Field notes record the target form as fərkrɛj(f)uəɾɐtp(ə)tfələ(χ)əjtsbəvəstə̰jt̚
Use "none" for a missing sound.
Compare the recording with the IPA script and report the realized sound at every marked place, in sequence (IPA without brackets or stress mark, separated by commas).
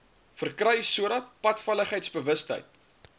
s, ɐ, χ